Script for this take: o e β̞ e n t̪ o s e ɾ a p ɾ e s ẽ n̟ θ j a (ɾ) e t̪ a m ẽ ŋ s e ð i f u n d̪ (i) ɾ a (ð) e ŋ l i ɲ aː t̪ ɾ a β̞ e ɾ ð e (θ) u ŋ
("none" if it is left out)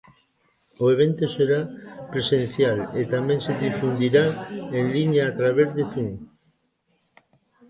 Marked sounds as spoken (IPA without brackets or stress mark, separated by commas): l, i, none, θ